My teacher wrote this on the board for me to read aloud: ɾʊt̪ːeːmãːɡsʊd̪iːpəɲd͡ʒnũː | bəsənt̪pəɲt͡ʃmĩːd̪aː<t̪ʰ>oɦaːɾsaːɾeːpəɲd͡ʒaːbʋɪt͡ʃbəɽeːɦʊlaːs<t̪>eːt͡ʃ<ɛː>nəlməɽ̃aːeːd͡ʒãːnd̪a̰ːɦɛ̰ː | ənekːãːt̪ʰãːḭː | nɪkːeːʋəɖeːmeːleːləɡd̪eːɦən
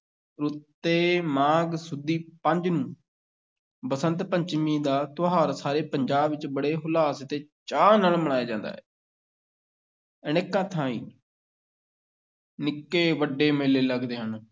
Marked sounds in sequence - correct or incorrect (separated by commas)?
incorrect, correct, incorrect